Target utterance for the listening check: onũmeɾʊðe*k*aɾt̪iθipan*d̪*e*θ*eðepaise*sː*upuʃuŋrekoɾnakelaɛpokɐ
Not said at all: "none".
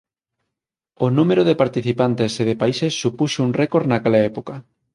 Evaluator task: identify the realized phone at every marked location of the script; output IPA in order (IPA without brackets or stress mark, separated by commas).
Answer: p, t̪, s, sː